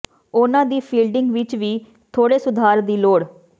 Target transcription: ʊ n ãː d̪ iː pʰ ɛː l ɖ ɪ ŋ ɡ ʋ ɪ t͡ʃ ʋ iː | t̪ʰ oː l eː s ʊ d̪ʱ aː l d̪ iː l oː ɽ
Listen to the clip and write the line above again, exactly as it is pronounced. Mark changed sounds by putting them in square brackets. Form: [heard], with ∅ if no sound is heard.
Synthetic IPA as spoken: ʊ n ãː d̪ iː pʰ [iː] l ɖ ɪ ŋ ɡ ʋ ɪ t͡ʃ ʋ iː | t̪ʰ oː [ɽ] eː s ʊ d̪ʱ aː [ɾ] d̪ iː l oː ɽ